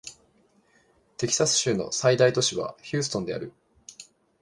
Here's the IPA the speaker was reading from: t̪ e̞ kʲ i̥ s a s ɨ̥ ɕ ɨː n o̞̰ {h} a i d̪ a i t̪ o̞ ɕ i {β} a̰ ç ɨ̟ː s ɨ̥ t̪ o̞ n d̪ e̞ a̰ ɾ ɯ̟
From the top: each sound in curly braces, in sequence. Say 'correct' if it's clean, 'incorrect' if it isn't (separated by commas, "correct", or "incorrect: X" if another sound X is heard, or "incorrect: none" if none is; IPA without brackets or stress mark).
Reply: incorrect: s, correct